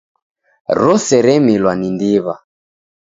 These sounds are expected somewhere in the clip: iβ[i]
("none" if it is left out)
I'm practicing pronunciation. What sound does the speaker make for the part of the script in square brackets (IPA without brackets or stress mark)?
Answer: a